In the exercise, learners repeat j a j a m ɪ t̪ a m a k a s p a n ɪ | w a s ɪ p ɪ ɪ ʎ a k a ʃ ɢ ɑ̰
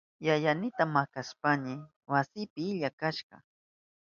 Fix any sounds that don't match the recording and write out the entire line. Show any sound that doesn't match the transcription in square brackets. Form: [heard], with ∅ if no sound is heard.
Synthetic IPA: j a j a [n] ɪ t̪ a m a k a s p a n ɪ | w a s ɪ p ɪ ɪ ʎ a k a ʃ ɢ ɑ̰